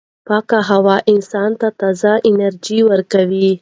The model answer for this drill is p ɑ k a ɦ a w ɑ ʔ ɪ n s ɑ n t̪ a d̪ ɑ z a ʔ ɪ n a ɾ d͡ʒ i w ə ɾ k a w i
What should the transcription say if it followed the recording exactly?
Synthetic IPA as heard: p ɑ k a ɦ a w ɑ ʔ ɪ n s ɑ n t̪ a t̪ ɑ z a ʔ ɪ n a ɾ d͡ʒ i w ə ɾ k a w i